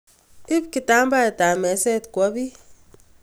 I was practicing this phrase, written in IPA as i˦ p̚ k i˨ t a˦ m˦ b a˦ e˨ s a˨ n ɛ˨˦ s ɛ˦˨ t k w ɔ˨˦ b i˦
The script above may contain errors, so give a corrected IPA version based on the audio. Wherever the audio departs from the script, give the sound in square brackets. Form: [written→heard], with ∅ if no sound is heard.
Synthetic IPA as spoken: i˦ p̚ k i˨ t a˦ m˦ b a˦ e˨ [s→t] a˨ [n→m] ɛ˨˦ s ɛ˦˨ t k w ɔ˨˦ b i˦